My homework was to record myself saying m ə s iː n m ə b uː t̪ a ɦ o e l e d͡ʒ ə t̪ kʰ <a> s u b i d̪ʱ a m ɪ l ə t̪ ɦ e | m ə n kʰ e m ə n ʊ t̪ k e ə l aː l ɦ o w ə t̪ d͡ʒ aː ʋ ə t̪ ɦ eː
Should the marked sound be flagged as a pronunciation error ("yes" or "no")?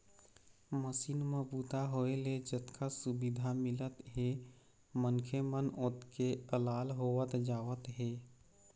no